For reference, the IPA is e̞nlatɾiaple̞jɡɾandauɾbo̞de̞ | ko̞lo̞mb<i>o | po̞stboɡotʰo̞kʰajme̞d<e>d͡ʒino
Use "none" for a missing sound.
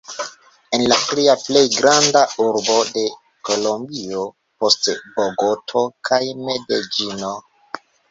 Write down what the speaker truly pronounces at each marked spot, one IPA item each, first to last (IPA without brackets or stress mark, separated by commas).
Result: i, e